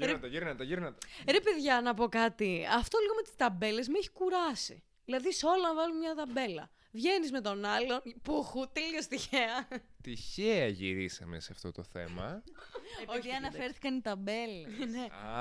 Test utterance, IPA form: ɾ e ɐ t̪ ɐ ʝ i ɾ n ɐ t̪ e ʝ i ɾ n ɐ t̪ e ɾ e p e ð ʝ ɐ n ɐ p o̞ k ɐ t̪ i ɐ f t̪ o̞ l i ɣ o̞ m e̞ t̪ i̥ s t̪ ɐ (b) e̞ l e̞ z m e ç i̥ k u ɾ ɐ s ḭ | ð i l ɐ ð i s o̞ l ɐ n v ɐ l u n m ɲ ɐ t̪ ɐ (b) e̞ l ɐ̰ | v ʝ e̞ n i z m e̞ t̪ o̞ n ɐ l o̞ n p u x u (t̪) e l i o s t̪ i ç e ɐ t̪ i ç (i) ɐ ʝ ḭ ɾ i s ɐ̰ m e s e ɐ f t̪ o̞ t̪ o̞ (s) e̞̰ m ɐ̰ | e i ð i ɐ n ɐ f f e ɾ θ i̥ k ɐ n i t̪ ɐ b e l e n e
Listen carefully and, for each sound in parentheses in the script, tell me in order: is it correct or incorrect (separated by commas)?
correct, correct, correct, incorrect, incorrect